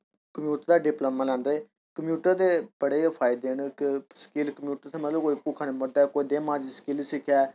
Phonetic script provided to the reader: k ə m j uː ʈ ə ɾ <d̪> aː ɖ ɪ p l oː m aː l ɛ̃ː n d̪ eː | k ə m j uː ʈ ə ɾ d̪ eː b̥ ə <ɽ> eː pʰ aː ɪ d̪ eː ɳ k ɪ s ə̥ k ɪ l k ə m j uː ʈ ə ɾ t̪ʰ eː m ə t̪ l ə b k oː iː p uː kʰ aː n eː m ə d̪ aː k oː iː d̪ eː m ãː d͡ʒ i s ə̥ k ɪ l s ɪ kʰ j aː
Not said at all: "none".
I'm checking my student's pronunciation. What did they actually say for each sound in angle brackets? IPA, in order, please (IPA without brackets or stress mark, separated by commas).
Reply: d̪, ɽ